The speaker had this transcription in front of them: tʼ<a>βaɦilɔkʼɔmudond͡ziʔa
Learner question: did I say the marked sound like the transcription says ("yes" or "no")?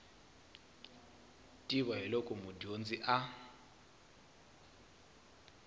no